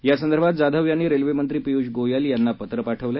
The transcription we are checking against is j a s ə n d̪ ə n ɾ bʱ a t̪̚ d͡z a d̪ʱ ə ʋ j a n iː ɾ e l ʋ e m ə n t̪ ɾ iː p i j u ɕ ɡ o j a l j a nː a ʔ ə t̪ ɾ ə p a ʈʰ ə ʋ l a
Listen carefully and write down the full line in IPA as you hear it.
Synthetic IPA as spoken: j a s ə n d̪ ə ɾ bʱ a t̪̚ d͡z a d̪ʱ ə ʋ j a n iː ɾ e l ʋ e m ə n t̪ ɾ iː p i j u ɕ ɡ o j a l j a nː a p ə t̪ ɾ ə p a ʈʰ ə ʋ l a